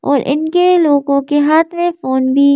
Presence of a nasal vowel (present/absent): present